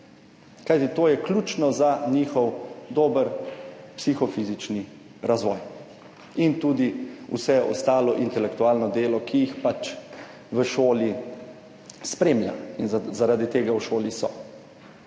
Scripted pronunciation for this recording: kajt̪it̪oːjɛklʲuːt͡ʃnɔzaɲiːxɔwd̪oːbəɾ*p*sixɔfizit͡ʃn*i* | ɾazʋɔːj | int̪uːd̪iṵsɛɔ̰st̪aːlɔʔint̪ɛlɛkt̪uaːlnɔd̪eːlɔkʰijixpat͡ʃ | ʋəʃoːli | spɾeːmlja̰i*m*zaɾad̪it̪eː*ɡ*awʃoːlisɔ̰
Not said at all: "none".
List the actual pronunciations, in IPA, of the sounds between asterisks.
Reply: p, i, n, ɡ

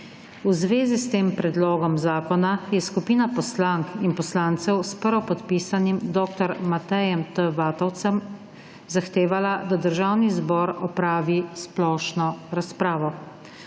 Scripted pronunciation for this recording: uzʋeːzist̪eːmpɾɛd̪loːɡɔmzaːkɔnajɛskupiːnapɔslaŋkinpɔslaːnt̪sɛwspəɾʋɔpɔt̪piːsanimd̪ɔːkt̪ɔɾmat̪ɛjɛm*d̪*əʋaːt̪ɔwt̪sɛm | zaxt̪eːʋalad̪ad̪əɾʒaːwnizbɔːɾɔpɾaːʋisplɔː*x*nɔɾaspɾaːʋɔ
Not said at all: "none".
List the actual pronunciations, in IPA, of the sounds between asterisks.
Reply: t̪, ʃ

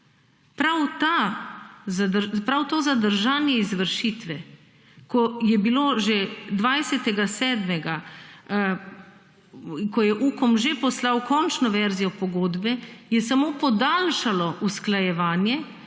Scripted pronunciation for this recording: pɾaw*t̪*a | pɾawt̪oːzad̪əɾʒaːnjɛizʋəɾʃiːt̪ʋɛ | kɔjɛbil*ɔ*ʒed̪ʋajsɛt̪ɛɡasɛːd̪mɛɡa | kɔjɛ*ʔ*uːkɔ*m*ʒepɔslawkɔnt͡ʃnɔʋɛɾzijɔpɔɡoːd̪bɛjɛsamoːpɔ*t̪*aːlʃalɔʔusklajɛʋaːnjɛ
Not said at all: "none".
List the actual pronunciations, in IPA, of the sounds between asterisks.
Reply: t̪, o, ʔ, m, d̪

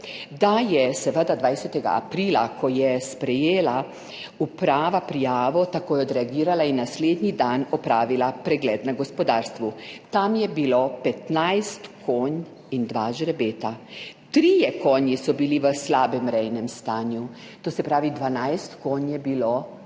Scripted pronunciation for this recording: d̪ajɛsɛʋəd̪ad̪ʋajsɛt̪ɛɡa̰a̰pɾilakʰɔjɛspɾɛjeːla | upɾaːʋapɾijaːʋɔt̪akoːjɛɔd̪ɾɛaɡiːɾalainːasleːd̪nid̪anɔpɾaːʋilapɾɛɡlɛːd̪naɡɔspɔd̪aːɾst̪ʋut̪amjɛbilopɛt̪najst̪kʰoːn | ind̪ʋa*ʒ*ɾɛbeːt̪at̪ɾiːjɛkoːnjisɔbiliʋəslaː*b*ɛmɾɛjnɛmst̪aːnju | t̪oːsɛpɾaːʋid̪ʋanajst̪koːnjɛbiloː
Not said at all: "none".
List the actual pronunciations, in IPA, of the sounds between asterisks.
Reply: ʒ, b

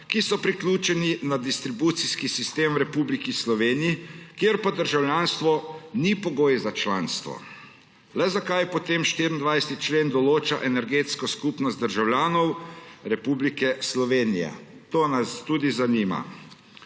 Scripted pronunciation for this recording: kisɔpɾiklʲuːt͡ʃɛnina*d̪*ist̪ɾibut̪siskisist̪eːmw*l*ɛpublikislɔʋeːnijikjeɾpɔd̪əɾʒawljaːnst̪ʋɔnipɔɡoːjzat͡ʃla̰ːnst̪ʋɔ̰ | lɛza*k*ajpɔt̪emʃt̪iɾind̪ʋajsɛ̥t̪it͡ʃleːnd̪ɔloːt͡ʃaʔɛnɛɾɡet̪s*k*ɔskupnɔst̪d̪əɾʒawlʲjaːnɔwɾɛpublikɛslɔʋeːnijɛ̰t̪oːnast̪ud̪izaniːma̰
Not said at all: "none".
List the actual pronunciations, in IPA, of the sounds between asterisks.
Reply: d̪, ɾ, k, k

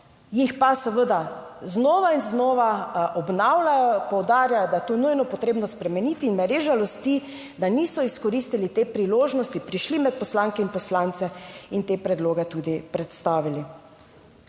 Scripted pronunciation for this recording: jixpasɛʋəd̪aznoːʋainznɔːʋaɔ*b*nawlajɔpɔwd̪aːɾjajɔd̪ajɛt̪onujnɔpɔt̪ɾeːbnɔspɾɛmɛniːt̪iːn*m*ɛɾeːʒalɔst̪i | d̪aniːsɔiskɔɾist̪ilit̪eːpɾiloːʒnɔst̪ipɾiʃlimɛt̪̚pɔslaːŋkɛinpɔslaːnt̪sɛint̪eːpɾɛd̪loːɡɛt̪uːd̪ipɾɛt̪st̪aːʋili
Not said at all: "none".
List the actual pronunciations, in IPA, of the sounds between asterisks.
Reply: b, m

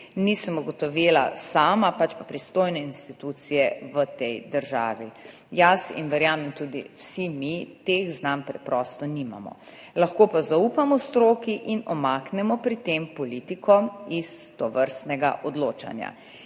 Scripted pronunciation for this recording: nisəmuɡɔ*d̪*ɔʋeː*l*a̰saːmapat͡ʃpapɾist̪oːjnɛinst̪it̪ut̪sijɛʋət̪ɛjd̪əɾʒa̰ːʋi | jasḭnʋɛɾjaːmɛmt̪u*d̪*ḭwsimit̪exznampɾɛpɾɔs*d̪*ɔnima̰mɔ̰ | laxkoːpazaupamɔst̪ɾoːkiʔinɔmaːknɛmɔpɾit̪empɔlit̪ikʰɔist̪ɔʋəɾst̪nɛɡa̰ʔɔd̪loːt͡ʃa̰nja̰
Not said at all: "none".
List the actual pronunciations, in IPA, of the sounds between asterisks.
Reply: t̪, l, d̪, t̪

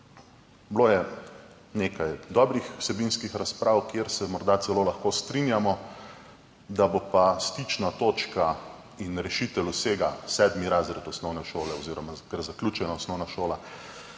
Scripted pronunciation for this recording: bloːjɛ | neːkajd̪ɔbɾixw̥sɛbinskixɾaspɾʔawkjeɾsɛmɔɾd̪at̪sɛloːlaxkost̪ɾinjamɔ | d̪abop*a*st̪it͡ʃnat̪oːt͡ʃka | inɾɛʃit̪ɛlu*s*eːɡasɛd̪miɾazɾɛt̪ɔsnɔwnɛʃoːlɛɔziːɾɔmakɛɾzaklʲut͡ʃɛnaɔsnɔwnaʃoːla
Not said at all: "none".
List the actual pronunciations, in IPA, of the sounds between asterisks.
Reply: a, s

